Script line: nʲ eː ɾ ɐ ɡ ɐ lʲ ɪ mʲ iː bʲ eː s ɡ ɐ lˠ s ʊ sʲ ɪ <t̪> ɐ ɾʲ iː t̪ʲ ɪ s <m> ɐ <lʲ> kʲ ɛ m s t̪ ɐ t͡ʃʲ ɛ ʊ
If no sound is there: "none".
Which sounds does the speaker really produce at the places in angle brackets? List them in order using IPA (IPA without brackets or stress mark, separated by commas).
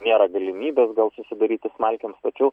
d̪, m, lʲ